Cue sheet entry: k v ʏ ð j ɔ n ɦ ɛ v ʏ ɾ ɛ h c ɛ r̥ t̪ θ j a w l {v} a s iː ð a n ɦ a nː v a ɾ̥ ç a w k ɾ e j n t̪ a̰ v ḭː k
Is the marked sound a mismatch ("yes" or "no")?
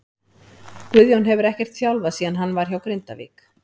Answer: no